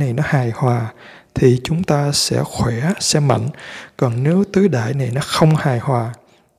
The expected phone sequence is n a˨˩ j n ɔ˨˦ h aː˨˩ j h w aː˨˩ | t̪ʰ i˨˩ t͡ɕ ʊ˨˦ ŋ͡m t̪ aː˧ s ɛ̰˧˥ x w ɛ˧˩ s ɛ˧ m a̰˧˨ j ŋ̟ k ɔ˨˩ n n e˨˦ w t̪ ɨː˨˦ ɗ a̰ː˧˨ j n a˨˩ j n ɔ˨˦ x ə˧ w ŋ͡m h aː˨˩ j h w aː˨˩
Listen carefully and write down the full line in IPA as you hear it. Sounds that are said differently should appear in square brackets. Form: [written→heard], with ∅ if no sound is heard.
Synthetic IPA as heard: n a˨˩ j n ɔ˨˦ h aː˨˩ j h w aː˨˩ | t̪ʰ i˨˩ t͡ɕ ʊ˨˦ ŋ͡m t̪ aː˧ s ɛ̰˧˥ x w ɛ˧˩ s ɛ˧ m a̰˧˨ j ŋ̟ k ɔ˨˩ n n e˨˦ w t̪ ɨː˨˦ ɗ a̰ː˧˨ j n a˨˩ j n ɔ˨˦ x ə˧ w ŋ͡m h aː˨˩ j h w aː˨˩